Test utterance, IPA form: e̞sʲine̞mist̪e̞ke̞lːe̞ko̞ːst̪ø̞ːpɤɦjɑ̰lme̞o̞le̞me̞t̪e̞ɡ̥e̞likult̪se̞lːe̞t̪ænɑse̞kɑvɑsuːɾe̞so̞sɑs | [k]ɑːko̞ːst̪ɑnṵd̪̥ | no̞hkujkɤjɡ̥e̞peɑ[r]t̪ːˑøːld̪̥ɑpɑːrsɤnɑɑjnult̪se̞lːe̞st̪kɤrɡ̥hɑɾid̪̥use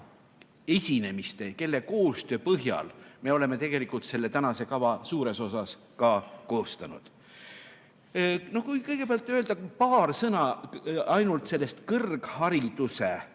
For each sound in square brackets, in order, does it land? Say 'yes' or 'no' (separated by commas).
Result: yes, no